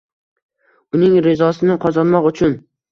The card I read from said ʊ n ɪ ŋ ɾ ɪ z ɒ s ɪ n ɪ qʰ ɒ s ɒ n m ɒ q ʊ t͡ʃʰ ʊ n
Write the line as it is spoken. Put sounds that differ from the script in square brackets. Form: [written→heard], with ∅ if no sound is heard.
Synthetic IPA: ʊ n ɪ ŋ ɾ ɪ z ɒ s ɪ n ɪ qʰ ɒ [s→z] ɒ n m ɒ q ʊ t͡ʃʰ ʊ n